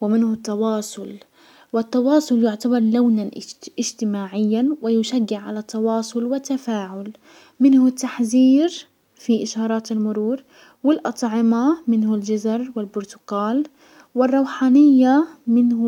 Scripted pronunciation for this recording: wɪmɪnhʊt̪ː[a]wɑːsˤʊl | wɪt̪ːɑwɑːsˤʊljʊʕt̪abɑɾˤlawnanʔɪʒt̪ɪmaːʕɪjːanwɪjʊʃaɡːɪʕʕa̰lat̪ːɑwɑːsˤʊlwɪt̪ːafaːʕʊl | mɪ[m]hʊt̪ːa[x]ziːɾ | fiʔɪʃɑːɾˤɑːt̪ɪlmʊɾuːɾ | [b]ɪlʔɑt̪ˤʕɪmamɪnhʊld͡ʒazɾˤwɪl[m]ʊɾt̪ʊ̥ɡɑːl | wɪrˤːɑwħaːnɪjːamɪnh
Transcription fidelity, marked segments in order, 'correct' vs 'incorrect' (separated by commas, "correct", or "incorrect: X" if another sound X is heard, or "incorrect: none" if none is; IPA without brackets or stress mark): incorrect: ɑ, incorrect: n, incorrect: ħ, incorrect: w, incorrect: b